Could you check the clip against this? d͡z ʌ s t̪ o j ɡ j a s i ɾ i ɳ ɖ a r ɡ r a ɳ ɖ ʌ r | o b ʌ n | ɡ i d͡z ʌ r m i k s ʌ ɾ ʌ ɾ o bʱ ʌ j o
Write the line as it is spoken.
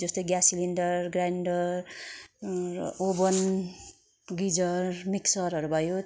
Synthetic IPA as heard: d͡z ʌ s t̪ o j ɡ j a s i l i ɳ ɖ ʌ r ɡ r a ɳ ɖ ʌ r | o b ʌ n | ɡ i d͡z ʌ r m i k s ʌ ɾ ʌ ɾ u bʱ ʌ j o